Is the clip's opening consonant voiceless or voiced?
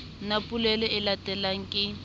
voiced